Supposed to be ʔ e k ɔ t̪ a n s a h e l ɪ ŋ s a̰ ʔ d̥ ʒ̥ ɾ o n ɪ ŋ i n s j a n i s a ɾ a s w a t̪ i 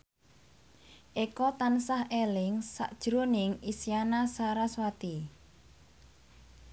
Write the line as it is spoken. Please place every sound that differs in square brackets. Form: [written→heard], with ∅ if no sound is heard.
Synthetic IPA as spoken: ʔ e k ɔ t̪ a n s a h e l ɪ ŋ s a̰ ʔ d̥ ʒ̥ ɾ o n ɪ ŋ i [n→∅] s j a n [i→a] s a ɾ a s w a t̪ i